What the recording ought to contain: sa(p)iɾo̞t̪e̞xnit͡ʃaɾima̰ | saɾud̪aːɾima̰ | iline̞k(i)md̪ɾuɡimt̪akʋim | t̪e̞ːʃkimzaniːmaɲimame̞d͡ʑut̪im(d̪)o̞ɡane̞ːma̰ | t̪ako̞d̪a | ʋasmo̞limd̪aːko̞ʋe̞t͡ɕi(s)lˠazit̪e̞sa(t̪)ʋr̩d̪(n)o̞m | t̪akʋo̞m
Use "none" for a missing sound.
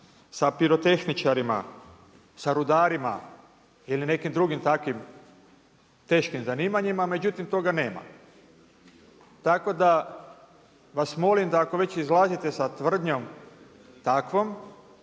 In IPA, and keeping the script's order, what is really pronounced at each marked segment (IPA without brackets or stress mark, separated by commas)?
p, i, t̪, z, t̪, ɲ